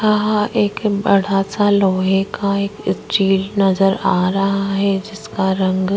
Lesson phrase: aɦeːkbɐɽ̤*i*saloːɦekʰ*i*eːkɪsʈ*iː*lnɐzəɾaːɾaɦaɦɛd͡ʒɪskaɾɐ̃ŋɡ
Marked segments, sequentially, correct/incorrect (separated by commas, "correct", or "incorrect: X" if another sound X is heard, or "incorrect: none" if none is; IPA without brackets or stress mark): incorrect: a, incorrect: a, correct